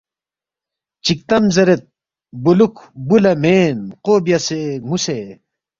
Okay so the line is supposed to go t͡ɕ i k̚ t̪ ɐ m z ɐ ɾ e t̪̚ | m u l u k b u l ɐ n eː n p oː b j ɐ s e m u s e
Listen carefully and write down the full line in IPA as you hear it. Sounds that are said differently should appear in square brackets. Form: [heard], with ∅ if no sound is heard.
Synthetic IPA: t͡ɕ i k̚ t̪ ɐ m z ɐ ɾ e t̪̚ | [b] u l u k b u l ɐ [m] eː n [q] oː b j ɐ s e m u s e